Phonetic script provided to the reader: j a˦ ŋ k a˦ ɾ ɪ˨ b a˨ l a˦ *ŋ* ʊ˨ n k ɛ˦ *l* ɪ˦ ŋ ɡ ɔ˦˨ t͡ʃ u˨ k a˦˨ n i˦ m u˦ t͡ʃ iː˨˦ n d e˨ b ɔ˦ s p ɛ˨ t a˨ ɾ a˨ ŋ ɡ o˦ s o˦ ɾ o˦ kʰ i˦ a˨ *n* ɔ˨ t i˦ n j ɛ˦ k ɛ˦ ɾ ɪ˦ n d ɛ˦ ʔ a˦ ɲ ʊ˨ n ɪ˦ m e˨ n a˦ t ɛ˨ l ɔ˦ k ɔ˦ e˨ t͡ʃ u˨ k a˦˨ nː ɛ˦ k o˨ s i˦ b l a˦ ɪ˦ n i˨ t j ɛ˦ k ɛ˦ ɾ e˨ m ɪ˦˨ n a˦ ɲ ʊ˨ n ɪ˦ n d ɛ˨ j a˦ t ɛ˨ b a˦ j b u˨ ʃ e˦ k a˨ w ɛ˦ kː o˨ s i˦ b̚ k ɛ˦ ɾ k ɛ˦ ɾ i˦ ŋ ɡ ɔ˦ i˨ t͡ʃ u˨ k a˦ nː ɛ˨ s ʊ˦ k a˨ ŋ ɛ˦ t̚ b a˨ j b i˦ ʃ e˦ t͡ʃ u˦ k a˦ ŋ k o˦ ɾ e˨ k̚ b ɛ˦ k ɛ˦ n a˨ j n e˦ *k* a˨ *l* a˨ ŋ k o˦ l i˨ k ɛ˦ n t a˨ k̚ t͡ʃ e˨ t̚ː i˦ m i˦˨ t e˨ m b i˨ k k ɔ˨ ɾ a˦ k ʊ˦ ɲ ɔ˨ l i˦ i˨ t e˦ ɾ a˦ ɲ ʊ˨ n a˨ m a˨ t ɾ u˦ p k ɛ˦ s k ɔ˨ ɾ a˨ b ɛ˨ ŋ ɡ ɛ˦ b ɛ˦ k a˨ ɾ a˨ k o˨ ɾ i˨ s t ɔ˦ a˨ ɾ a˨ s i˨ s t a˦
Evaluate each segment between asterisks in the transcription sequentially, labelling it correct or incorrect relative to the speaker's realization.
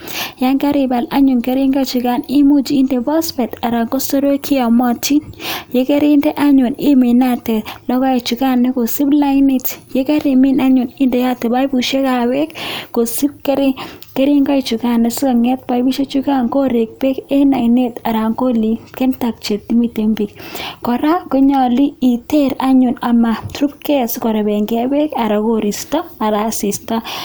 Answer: incorrect: ɲ, incorrect: ɾ, incorrect: m, incorrect: t, incorrect: ɾ

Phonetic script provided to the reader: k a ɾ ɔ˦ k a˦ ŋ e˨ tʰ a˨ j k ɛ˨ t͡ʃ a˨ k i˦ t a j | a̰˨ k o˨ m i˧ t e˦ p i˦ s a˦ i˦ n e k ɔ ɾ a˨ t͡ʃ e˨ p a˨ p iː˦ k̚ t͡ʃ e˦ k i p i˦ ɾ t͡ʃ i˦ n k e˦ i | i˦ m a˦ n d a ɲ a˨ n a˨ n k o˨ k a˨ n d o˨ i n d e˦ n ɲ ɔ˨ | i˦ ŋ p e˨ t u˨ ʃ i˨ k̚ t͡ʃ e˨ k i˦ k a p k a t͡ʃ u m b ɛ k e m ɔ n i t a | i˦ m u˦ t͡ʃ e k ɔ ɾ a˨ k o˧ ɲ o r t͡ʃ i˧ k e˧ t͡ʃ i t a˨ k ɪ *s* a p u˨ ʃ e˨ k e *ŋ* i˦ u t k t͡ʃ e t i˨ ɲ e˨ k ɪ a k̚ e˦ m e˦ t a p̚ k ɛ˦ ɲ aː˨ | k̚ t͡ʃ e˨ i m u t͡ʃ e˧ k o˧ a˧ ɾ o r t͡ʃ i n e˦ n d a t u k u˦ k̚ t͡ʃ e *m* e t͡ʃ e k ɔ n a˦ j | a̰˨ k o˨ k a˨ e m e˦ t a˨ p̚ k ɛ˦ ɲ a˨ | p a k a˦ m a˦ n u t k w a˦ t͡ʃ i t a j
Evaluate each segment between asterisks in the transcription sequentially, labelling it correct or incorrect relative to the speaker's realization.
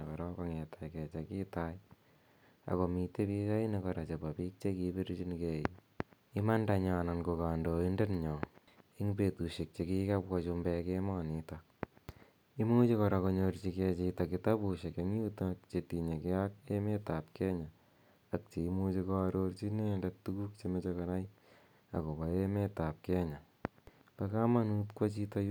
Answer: incorrect: t, correct, correct

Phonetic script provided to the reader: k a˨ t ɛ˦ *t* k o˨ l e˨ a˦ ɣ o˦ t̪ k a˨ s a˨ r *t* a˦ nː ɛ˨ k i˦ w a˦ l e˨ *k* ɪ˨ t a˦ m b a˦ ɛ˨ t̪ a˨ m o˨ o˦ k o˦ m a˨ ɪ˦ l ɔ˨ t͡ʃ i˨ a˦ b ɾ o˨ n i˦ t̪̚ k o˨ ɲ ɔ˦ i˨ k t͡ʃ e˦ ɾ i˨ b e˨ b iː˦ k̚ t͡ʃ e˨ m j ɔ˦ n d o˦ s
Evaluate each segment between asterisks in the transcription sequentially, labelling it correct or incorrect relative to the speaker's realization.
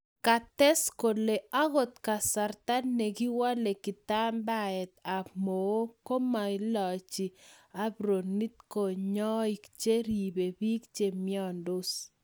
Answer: incorrect: s, correct, correct

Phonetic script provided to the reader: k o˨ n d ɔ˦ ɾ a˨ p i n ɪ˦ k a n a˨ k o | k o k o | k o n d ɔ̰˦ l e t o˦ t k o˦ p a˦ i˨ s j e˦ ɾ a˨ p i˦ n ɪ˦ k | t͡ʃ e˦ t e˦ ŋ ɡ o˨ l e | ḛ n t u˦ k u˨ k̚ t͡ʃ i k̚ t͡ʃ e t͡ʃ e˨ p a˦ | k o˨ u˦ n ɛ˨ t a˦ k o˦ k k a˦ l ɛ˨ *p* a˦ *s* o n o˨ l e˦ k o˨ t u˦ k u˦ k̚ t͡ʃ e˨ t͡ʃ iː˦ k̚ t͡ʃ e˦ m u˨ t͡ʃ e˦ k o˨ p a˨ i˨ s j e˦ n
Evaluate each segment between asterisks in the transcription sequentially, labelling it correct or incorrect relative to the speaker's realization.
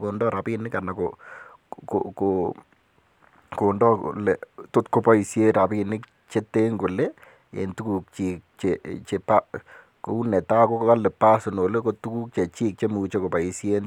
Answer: correct, correct

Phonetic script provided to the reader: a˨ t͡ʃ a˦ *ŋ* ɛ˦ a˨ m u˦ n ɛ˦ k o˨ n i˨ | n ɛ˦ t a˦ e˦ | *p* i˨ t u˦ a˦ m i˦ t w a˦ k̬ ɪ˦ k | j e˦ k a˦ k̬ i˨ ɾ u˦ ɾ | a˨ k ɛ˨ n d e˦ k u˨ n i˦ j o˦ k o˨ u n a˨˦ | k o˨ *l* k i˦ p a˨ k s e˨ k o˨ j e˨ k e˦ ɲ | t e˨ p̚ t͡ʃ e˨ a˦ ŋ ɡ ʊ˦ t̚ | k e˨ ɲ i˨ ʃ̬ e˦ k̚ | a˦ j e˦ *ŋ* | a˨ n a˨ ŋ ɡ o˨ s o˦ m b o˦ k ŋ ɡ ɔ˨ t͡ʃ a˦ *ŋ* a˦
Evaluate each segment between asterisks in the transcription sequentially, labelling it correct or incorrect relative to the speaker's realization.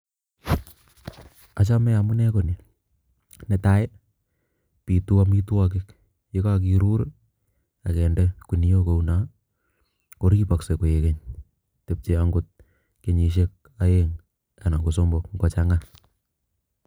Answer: incorrect: m, correct, incorrect: ɾ, correct, correct

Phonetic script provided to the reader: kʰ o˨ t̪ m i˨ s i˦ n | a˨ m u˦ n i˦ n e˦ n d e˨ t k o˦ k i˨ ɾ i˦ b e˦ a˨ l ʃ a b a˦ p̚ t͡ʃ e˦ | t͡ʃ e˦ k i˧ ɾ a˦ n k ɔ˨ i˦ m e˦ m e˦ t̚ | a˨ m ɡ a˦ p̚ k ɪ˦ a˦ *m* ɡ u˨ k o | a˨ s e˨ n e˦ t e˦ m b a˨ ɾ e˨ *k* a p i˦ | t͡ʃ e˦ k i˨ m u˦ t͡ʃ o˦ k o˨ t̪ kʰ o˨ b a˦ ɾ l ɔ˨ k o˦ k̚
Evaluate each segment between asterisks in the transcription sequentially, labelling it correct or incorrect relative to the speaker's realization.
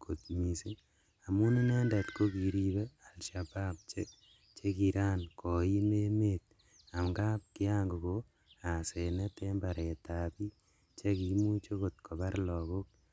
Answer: incorrect: ŋ, incorrect: t

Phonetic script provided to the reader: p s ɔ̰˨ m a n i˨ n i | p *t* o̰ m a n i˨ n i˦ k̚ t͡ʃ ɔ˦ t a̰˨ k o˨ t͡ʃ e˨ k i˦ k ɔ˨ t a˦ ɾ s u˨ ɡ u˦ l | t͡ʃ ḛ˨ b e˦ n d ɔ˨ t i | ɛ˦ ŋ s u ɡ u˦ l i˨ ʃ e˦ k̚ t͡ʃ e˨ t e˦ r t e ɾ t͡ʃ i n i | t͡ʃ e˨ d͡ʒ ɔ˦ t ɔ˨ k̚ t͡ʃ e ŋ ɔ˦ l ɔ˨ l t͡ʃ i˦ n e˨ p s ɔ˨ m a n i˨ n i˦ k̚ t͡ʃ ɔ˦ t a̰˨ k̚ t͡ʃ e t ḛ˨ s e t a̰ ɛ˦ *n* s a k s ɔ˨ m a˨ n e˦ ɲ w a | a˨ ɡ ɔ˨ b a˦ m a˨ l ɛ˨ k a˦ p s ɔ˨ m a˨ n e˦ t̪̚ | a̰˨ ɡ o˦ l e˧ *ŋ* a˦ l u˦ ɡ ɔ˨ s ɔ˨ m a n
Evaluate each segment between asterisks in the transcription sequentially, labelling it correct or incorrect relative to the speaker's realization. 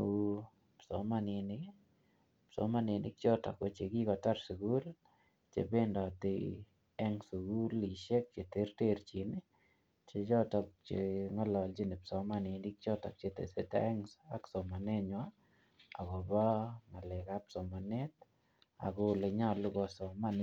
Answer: incorrect: s, incorrect: ŋ, incorrect: ɲ

